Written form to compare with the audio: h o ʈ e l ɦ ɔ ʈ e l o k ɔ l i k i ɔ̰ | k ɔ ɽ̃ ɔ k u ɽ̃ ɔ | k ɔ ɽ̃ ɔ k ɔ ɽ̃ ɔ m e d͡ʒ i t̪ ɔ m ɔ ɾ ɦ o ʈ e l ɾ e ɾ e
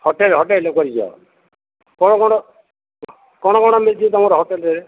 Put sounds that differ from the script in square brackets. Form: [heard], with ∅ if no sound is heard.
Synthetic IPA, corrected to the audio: h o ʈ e l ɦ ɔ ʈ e l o k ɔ [ɾ] i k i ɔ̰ | k ɔ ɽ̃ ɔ k [ɔ] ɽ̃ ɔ | k ɔ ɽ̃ ɔ k ɔ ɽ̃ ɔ m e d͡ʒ i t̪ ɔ m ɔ ɾ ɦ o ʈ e l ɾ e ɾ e